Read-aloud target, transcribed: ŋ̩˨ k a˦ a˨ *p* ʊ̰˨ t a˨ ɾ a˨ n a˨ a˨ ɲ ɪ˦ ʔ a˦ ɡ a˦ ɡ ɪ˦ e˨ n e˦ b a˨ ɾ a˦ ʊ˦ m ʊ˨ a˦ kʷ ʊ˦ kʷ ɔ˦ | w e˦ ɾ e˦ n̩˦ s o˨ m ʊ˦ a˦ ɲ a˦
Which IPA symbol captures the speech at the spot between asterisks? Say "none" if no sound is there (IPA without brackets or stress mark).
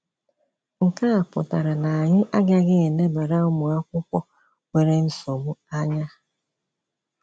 p